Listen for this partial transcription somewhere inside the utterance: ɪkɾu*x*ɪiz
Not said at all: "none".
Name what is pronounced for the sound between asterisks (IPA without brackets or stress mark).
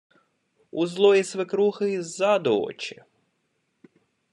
x